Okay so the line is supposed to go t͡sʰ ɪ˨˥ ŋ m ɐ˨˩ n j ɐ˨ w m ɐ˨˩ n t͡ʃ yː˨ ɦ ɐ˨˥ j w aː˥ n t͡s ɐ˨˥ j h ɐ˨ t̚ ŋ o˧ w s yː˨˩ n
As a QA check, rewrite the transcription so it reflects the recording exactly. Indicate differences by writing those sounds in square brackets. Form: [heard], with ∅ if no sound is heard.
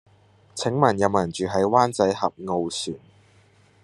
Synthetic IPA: t͡sʰ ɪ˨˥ ŋ m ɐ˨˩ n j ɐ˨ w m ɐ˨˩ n t͡ʃ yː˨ ɦ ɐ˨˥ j w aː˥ n t͡s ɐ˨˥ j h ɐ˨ [p̚] ŋ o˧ w s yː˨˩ n

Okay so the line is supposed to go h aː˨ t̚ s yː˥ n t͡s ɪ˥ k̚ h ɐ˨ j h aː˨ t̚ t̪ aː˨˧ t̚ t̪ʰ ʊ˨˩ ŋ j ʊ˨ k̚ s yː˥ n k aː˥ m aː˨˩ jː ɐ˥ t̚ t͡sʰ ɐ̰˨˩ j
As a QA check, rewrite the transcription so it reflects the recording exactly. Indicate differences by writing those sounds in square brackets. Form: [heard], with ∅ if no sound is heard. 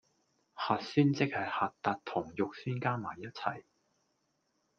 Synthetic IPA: h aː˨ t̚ s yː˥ n t͡s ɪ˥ k̚ h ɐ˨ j h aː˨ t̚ t̪ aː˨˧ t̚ t̪ʰ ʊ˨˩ ŋ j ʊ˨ k̚ s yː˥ n k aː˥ m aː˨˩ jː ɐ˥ t̚ t͡sʰ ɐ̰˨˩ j

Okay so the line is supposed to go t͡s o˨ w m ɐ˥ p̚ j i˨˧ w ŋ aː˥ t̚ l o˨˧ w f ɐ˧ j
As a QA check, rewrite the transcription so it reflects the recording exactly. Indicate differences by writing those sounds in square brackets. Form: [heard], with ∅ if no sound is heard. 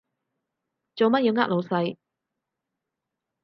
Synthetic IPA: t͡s o˨ w m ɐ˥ [t̚] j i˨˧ w ŋ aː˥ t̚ l o˨˧ w [s] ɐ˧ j

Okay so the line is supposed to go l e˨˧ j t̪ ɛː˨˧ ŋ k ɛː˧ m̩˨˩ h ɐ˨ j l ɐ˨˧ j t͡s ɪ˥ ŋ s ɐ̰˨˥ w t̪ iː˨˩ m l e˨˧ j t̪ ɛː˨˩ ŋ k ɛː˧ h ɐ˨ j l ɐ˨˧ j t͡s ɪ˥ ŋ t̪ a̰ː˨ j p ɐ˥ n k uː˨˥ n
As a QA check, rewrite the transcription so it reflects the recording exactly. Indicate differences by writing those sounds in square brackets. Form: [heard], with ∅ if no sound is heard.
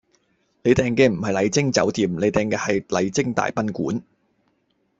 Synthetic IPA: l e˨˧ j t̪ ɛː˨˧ ŋ k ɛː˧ m̩˨˩ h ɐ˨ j l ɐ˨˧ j t͡s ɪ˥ ŋ [t͡s] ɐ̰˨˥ w t̪ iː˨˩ m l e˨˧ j t̪ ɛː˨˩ ŋ k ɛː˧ h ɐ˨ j l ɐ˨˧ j t͡s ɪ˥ ŋ t̪ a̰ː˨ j p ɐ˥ n k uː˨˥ n

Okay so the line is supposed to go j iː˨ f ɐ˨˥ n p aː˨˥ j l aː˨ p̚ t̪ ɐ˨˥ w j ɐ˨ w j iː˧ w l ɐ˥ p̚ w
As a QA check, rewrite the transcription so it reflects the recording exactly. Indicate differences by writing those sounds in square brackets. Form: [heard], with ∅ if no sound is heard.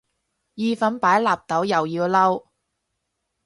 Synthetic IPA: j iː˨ f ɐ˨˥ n p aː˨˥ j l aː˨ p̚ t̪ ɐ˨˥ w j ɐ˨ w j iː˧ w l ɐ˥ [∅] w

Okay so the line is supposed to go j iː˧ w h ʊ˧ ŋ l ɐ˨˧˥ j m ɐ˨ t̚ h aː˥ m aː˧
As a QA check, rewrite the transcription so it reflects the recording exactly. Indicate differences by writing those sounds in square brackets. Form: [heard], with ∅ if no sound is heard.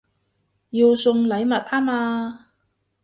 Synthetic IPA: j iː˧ w [s] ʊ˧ ŋ l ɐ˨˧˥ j m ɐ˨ t̚ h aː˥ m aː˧

